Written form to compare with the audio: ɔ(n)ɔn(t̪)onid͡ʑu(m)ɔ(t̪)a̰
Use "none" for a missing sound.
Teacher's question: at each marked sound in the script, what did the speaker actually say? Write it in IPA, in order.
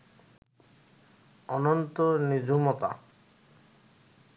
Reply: n, t̪, m, t̪

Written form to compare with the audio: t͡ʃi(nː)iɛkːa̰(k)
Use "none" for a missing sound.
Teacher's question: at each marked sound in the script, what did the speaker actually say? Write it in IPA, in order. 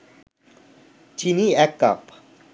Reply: n, p

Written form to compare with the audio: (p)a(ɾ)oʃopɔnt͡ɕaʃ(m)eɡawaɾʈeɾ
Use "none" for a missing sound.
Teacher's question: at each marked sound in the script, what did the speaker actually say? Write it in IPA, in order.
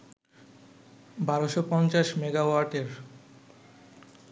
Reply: b, ɾ, m

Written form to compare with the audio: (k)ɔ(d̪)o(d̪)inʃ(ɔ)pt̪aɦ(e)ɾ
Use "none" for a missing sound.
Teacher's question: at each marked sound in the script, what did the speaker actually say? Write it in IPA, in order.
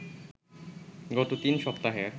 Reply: ɡ, t̪, t̪, ɔ, e

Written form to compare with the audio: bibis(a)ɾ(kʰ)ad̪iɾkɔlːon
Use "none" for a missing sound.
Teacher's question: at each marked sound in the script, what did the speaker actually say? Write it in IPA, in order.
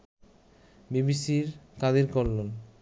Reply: i, k

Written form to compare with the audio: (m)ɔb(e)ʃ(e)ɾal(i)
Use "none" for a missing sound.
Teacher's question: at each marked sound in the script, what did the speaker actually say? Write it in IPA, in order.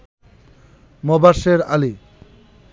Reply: m, a, e, i

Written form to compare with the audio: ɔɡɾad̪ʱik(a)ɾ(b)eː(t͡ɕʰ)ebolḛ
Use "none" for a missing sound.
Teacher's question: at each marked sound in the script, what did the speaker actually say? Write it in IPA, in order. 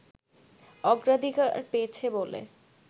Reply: a, p, t͡ɕʰ

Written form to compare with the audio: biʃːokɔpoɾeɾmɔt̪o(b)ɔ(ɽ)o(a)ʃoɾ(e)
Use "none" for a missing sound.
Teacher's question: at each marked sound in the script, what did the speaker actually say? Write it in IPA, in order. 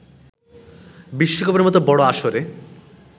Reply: b, ɽ, a, e

